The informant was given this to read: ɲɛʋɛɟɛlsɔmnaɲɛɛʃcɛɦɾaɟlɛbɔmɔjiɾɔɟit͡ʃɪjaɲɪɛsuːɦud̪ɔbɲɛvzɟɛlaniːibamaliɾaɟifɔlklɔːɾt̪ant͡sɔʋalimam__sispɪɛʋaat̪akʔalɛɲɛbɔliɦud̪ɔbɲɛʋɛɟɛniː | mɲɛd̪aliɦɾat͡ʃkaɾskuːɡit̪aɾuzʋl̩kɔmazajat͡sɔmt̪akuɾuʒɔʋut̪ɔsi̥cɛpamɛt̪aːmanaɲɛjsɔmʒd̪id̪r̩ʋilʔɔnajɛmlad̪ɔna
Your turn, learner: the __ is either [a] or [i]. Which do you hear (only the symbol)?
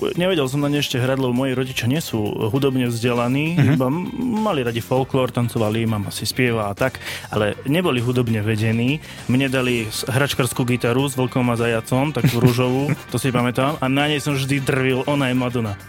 a